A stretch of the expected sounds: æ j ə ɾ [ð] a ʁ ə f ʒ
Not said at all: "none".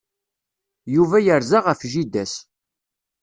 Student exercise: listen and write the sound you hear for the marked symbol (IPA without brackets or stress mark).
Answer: z